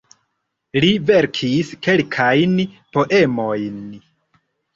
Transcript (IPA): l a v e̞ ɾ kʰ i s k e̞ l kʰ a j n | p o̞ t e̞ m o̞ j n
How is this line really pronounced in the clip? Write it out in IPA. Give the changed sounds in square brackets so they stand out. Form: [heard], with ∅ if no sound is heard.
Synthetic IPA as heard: l [i] v e̞ ɾ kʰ i s k e̞ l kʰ a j n | p o̞ [ʔ] e̞ m o̞ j n